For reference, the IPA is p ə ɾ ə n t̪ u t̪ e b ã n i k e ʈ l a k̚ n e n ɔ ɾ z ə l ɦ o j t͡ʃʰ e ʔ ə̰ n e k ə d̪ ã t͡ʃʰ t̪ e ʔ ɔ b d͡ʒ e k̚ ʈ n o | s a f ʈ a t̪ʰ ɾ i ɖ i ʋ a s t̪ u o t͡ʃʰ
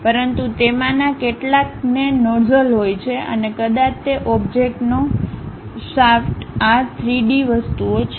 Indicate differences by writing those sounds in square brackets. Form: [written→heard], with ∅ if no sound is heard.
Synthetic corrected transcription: p ə ɾ ə n t̪ u t̪ e [b→m] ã n [i→a] k e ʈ l a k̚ n e n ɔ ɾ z ə l ɦ o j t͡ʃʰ e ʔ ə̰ n e k ə d̪ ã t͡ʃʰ t̪ e ʔ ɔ b d͡ʒ e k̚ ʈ n o | s a f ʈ a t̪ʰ ɾ i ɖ i ʋ [a→ə] s t̪ u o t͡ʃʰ